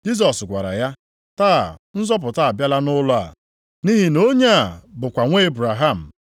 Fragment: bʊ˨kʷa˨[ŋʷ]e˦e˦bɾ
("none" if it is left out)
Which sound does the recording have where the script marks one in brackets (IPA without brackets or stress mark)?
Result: ŋʷ